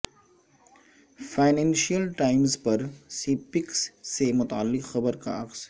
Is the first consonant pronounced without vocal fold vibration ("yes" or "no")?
yes